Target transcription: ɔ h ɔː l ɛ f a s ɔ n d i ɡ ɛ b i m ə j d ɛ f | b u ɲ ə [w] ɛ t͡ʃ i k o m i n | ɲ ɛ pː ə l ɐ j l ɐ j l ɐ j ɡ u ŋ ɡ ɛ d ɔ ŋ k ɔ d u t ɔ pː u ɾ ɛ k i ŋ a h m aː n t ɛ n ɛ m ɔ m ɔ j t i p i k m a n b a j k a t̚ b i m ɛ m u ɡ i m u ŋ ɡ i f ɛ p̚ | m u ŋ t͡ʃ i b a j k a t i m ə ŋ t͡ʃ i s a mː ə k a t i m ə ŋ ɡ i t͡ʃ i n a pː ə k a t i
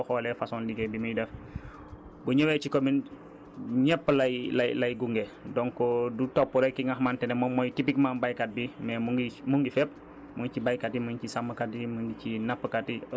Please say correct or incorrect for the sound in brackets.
correct